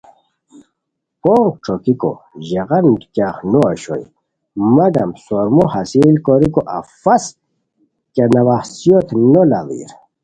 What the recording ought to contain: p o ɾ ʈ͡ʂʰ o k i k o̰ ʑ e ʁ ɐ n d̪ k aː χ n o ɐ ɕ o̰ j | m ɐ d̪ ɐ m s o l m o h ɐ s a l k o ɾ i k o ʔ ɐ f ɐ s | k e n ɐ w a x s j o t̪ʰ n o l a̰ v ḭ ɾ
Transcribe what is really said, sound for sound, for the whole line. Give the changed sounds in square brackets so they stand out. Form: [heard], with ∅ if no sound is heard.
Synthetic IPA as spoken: p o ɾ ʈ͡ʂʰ o k i k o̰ ʑ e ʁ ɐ n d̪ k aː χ n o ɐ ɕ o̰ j | m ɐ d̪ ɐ m s o [ɾ] m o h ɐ s [i] l k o ɾ i k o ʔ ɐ f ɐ s | k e n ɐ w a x s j o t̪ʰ n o l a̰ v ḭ ɾ